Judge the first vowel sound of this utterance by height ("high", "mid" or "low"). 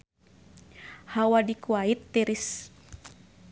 low